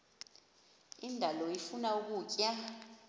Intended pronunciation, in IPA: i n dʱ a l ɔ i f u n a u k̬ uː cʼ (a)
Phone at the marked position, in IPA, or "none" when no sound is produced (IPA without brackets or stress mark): a